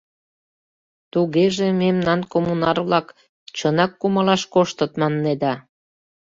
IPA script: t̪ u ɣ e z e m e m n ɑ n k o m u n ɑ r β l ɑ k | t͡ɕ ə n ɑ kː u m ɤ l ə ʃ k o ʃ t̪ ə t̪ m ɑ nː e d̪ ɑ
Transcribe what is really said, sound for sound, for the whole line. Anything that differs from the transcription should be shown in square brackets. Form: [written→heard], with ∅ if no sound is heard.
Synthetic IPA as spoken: t̪ u ɣ e [z→ʒ] e m e m n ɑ n k o m u n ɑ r β l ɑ k | t͡ɕ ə n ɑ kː u m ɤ l [ə→ɑ] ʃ k o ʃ t̪ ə t̪ m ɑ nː e d̪ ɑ